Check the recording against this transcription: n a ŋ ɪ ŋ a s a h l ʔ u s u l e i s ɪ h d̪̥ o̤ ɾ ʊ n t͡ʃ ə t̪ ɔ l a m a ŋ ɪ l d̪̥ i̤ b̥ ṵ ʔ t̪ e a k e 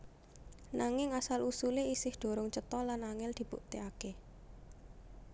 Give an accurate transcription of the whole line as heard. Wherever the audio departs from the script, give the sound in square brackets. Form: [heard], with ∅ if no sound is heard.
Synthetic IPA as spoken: n a ŋ ɪ ŋ a s a [∅] l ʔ u s u l e i s ɪ h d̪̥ o̤ ɾ ʊ [ŋ] t͡ʃ ə t̪ ɔ l a [n] a ŋ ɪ l d̪̥ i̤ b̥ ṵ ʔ t̪ e a k e